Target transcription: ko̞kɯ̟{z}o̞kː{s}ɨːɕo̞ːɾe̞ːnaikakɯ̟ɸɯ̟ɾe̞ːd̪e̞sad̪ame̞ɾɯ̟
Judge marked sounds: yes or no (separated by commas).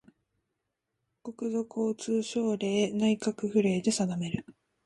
yes, no